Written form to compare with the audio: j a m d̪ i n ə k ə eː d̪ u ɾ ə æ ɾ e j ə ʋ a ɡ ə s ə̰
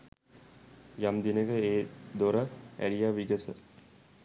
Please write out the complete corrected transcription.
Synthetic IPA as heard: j a m d̪ i n ə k ə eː d̪ o ɾ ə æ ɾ i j a ʋ i ɡ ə s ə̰